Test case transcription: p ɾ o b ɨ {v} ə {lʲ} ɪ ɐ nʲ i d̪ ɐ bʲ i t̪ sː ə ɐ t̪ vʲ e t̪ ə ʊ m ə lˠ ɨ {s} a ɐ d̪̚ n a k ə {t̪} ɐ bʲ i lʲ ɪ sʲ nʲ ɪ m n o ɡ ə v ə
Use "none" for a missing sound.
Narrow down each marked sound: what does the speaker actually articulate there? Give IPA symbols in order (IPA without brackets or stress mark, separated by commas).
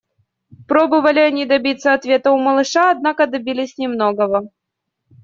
v, lʲ, ʂ, d̪